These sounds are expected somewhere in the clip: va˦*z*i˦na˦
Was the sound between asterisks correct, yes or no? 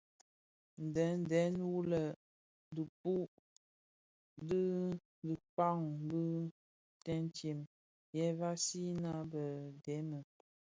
no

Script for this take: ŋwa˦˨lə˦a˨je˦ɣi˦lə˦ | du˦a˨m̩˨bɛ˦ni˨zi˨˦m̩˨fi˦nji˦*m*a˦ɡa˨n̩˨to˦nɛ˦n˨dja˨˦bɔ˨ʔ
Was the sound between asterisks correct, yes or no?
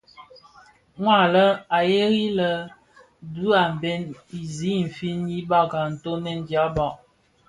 no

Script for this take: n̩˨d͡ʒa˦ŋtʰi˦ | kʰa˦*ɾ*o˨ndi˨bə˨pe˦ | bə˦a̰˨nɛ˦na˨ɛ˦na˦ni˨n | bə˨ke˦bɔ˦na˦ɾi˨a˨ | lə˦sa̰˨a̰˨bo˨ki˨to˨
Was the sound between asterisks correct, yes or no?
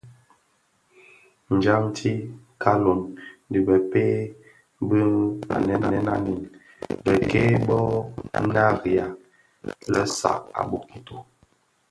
no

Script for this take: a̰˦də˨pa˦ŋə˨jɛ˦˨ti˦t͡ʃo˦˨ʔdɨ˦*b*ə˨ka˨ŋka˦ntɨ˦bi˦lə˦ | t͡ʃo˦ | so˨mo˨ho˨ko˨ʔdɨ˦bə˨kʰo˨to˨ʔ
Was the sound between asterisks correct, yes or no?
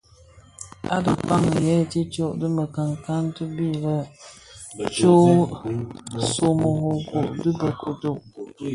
no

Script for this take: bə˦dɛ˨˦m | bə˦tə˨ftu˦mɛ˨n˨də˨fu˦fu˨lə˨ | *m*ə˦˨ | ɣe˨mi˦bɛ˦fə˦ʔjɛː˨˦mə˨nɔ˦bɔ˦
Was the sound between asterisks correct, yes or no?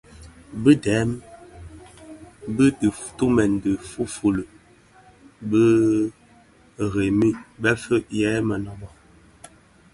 no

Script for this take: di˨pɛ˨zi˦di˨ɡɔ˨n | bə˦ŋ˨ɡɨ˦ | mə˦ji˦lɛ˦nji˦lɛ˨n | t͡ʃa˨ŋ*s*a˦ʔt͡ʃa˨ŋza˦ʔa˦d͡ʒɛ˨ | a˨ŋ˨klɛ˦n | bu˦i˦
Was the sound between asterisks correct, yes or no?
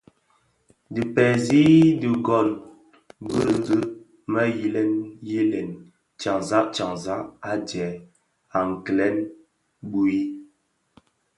no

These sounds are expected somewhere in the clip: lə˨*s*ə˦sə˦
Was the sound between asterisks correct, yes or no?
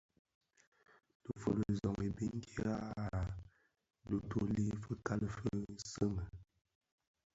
no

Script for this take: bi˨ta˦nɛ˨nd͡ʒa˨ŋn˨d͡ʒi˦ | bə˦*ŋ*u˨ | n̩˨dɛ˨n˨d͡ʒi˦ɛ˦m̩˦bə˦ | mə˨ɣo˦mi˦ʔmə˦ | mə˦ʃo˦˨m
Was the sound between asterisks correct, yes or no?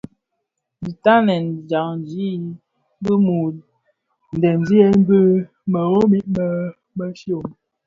no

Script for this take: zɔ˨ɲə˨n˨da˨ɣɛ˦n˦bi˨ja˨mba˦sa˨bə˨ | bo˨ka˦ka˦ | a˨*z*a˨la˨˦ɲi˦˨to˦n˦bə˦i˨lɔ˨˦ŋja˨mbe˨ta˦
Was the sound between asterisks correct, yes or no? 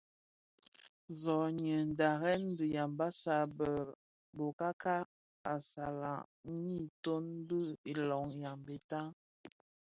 no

